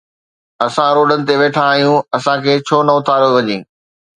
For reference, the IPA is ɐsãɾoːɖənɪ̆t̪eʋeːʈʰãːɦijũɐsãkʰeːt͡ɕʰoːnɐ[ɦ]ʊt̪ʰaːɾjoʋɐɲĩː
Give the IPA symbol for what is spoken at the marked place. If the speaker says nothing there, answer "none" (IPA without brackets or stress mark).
none